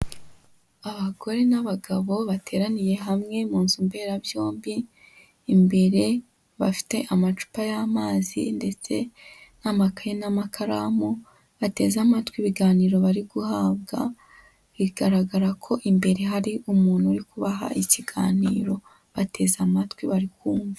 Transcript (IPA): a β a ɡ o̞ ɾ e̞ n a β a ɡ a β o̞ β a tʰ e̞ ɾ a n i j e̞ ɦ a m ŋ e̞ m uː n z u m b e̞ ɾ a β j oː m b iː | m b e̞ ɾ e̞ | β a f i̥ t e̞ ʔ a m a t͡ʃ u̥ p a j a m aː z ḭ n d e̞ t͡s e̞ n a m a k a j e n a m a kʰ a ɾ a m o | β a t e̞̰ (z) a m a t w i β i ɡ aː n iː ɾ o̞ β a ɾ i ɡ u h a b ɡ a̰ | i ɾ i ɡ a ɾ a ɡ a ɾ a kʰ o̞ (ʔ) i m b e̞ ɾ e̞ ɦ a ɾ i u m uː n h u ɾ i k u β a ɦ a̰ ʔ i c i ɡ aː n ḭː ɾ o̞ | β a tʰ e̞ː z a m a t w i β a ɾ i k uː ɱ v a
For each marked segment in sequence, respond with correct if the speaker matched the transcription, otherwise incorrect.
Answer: correct, correct

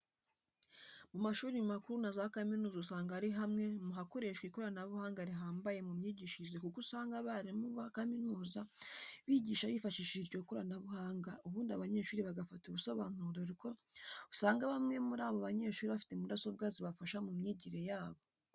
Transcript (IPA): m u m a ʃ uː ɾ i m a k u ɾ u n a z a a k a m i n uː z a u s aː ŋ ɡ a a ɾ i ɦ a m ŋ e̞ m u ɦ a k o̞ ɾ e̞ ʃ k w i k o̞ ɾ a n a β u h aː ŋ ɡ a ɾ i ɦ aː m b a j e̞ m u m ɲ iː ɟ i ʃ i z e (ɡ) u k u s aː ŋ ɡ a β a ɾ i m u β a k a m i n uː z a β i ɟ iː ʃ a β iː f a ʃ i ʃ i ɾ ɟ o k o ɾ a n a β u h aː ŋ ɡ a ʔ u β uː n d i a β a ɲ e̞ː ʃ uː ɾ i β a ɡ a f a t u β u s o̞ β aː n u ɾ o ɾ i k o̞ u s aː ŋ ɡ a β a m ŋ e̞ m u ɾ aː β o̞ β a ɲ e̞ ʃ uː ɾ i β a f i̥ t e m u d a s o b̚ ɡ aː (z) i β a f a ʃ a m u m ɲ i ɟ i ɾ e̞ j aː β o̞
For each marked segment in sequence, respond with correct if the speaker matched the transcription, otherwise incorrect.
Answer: incorrect: k, correct

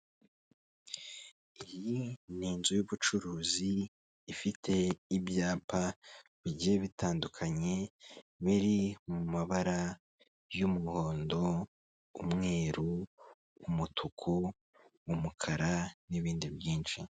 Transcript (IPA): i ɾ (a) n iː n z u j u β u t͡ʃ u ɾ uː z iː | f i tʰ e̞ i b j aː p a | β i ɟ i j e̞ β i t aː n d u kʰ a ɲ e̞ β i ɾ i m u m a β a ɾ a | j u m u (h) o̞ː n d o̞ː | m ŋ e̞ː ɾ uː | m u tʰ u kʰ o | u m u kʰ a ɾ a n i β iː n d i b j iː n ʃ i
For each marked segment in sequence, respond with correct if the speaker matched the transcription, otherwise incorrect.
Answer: incorrect: i, correct

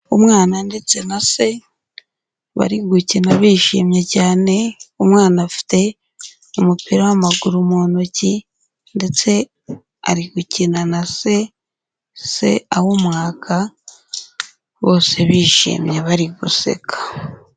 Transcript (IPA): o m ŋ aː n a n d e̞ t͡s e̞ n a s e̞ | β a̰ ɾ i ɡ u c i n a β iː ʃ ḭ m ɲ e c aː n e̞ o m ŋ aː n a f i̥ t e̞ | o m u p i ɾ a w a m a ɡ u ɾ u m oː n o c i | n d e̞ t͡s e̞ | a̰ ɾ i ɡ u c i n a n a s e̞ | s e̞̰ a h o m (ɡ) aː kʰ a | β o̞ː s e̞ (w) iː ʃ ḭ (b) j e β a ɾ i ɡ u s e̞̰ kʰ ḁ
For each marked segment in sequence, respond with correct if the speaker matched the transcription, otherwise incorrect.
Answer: incorrect: ŋ, incorrect: β, incorrect: m

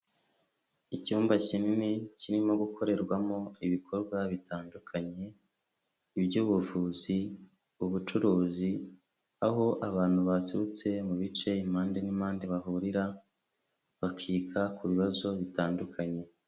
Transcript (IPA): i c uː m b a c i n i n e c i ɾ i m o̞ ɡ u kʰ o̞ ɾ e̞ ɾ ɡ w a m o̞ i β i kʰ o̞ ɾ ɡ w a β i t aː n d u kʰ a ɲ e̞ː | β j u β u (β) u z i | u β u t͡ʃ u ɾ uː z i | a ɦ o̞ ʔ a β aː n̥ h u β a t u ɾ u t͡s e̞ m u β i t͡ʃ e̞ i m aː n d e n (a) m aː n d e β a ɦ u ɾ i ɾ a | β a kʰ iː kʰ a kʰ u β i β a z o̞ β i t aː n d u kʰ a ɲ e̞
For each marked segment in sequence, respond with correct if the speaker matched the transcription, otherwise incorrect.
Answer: incorrect: v, incorrect: i

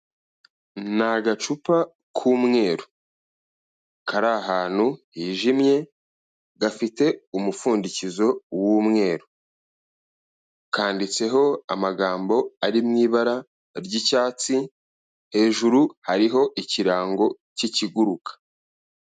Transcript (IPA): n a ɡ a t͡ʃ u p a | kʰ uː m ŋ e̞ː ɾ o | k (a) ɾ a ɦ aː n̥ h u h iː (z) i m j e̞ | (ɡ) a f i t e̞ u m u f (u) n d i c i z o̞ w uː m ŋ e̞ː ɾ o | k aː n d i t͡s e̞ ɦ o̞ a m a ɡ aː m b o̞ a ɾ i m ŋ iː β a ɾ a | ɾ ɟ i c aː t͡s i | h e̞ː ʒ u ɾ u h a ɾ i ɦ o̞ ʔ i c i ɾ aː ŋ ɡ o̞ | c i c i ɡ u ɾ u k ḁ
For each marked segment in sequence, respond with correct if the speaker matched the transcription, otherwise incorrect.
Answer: correct, incorrect: ʒ, correct, incorrect: uː

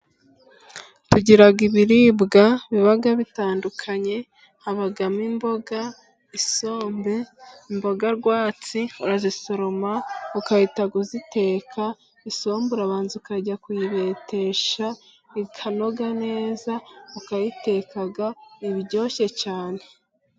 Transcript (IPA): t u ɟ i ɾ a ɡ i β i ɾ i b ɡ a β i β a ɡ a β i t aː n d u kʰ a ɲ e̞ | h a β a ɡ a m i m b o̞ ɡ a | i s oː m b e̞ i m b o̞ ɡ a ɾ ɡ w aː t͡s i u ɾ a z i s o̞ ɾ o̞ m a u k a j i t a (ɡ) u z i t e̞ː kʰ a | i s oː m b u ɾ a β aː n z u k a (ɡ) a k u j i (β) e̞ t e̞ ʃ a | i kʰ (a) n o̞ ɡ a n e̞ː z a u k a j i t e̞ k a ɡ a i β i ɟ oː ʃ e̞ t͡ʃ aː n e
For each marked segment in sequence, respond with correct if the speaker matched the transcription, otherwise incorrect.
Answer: correct, incorrect: ɟ, correct, correct

